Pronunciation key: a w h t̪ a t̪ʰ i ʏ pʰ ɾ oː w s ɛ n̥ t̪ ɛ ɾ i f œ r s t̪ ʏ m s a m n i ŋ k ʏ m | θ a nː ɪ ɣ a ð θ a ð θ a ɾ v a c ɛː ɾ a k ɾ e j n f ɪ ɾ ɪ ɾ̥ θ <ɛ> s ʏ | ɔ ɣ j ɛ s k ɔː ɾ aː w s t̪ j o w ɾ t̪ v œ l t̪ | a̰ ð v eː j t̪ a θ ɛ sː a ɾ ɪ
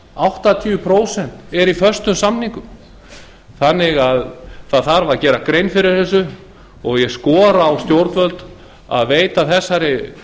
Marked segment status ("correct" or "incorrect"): correct